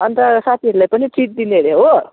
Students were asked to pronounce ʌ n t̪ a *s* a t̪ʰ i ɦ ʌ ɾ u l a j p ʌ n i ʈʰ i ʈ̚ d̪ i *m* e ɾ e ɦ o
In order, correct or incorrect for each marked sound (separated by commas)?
correct, incorrect